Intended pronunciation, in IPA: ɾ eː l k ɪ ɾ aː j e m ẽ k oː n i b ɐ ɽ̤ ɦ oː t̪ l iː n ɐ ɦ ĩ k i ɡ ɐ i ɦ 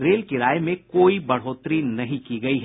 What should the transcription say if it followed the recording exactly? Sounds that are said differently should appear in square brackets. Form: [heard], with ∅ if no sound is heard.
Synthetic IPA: ɾ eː l k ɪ ɾ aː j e m ẽ k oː [∅] i b ɐ ɽ̤ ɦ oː t̪ [ɾ] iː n ɐ ɦ ĩ k i ɡ ɐ i ɦ

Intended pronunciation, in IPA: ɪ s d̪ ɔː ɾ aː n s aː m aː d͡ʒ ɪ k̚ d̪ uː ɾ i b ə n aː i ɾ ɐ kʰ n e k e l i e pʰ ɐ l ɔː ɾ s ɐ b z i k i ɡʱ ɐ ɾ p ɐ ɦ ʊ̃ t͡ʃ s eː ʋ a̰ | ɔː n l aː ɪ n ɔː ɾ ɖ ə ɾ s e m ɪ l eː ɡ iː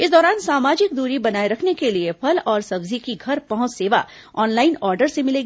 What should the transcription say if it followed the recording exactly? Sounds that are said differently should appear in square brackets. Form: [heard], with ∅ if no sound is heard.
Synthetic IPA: ɪ s d̪ ɔː ɾ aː n s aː m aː d͡ʒ ɪ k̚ d̪ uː ɾ i b [ɐ] n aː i ɾ ɐ kʰ n e k e l i e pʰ ɐ l ɔː ɾ s ɐ b z i k i ɡʱ ɐ ɾ p ɐ ɦ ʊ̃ t͡ʃ s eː ʋ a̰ | ɔː n l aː ɪ n ɔː ɾ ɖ ə ɾ s e m ɪ l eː ɡ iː

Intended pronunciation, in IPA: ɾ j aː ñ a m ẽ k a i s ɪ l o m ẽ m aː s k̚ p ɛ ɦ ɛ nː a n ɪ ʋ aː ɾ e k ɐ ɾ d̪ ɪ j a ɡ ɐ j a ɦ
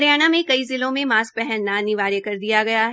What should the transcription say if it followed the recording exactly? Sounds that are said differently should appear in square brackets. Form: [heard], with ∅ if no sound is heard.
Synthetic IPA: ɾ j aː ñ a m ẽ k [ɐ] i [z] ɪ l [õ] m ẽ m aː s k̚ p ɛ ɦ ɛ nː a n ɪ ʋ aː ɾ e k ɐ ɾ d̪ [i] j a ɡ ɐ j a ɦ

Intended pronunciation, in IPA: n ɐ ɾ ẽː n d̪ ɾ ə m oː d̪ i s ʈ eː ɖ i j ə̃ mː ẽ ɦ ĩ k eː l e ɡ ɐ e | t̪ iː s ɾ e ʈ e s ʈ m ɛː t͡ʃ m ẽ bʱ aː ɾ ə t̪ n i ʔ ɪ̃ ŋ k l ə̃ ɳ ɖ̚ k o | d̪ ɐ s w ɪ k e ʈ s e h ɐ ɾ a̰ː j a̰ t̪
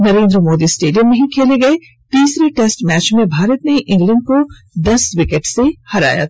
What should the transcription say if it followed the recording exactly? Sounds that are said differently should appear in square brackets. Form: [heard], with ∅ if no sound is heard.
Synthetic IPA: n ɐ ɾ ẽː n d̪ ɾ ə m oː d̪ i s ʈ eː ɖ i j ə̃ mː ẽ ɦ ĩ [kʰ] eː l e ɡ ɐ e | t̪ iː s ɾ e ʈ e s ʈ m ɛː t͡ʃ m ẽ bʱ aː ɾ ə t̪ n [e] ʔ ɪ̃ ŋ [ɡ] l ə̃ ɳ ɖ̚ k o | d̪ ɐ s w ɪ k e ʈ s e h ɐ ɾ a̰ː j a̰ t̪

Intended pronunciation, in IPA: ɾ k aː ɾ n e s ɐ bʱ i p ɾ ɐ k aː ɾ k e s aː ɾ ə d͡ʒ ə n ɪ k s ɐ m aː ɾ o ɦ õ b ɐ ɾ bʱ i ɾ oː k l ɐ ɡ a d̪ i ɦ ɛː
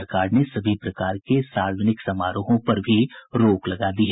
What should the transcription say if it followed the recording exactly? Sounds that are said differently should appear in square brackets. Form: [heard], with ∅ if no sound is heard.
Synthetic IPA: ɾ k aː ɾ n e s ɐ bʱ i p ɾ ɐ k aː ɾ k e s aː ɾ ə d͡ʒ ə n ɪ k s ɐ m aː ɾ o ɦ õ [p] ɐ ɾ bʱ i ɾ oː k l ɐ ɡ a d̪ i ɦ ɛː

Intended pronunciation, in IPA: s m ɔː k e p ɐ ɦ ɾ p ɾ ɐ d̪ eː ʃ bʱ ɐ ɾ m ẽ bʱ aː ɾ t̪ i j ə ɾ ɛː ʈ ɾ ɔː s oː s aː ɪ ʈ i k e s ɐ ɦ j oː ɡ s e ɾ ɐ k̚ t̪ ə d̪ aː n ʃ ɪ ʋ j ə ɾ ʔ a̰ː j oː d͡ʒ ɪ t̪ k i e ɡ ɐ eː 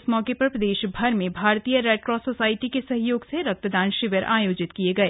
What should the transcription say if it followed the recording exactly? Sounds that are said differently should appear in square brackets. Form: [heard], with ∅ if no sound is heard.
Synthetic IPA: s m ɔː k e p ɐ [∅] ɾ p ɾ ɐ d̪ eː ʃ bʱ ɐ ɾ m ẽ bʱ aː ɾ t̪ i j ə ɾ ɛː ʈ ɾ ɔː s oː s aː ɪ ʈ i k e s ɐ ɦ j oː ɡ s e ɾ ɐ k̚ t̪ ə d̪ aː n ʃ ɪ ʋ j ə ɾ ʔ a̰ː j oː d͡ʒ ɪ t̪ k i e ɡ ɐ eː

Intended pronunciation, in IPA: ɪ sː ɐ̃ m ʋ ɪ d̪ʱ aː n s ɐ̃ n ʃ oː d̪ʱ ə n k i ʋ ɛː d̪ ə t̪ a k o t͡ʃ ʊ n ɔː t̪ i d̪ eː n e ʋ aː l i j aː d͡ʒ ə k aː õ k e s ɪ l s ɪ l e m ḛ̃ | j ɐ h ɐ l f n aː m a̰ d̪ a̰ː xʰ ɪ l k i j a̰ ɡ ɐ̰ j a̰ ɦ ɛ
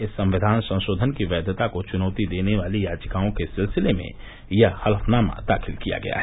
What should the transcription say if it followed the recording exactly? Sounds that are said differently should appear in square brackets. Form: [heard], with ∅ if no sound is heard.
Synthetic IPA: ɪ sː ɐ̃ m ʋ ɪ d̪ʱ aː n s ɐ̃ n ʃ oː d̪ʱ ə n k i ʋ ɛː d̪ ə t̪ a k o t͡ʃ ʊ n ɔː t̪ i d̪ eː n e ʋ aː l i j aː d͡ʒ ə k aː õ k e s ɪ l s ɪ l e m ḛ̃ | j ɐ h ɐ l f n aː m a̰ d̪ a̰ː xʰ ɪ l k i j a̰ ɡ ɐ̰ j a̰ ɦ ɛ

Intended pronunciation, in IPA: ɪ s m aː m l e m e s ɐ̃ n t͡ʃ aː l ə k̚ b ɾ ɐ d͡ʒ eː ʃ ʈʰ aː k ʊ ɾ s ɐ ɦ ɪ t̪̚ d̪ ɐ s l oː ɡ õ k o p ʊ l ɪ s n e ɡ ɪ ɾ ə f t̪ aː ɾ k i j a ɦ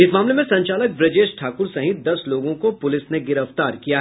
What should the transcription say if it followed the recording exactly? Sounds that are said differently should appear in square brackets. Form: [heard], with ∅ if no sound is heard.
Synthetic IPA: ɪ s m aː m l e m [ẽ] s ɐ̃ [ɲ] t͡ʃ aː l ə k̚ b ɾ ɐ d͡ʒ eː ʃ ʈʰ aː k ʊ ɾ s ɐ ɦ ɪ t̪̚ d̪ ɐ s l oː ɡ õ k o p ʊ l ɪ s n e ɡ ɪ ɾ ə f t̪ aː ɾ k i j a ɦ

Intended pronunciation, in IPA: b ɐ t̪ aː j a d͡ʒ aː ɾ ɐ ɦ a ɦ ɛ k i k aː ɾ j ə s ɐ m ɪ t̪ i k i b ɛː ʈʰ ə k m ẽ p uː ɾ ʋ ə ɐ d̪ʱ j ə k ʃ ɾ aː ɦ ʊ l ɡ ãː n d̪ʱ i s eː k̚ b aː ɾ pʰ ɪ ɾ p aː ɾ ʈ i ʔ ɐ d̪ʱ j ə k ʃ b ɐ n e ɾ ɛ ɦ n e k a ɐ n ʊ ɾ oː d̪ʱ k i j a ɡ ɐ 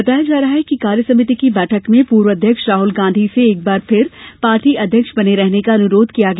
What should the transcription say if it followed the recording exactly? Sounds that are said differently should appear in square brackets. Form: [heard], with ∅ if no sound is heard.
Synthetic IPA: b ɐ t̪ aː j a d͡ʒ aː ɾ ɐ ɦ a ɦ ɛ k i k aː ɾ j ə s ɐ m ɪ t̪ i k i b ɛː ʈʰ ə k m ẽ p uː ɾ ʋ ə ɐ d̪ʱ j ə k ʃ ɾ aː ɦ ʊ l ɡ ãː n d̪ʱ i s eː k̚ b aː ɾ pʰ ɪ ɾ p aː ɾ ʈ i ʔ ɐ d̪ʱ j ə k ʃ b ɐ n e ɾ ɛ ɦ n e k a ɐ n ʊ ɾ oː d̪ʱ k i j a ɡ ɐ

